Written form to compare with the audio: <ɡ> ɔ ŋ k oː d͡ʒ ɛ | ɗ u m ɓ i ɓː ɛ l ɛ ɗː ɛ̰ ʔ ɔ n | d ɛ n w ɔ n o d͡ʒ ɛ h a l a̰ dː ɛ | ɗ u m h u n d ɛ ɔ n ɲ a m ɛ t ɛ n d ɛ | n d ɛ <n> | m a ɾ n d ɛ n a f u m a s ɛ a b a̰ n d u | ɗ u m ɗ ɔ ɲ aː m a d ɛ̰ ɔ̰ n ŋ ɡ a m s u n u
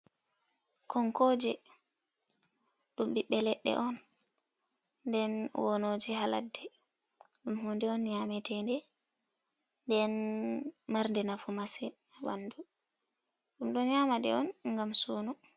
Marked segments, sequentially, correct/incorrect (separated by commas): incorrect, correct